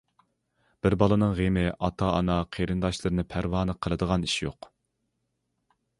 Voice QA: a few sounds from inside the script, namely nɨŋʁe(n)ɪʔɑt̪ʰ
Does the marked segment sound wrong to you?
yes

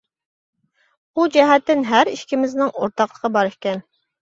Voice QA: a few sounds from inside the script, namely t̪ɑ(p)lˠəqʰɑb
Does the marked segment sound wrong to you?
yes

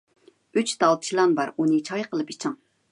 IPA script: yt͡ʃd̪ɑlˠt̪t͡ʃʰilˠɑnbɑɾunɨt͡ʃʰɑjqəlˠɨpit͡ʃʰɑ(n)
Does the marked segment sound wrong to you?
yes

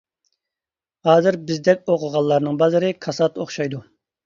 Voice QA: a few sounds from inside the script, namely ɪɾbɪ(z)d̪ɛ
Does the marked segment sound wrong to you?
no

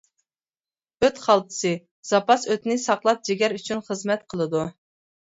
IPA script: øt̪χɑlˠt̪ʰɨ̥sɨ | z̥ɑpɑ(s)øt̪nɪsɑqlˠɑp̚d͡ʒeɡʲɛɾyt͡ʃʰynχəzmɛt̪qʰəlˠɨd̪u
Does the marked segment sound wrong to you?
no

